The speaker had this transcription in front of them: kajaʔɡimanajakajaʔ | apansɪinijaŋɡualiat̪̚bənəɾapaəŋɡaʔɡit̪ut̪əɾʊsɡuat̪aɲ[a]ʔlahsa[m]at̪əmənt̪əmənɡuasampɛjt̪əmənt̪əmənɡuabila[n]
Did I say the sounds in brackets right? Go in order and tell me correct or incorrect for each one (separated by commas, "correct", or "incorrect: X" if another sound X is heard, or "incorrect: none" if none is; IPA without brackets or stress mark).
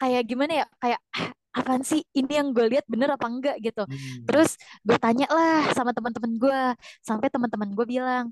correct, correct, incorrect: ŋ